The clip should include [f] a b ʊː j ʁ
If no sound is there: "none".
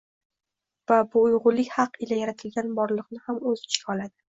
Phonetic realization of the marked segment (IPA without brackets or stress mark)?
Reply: v